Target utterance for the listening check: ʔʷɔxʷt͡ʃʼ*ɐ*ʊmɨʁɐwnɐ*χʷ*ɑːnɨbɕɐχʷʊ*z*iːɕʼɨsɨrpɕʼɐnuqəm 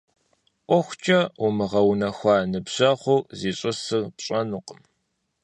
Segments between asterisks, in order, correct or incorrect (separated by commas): correct, incorrect, correct